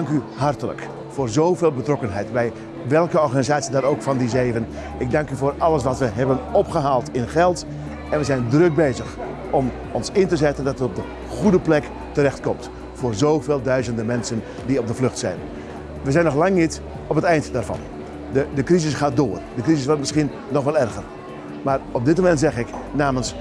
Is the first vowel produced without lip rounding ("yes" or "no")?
no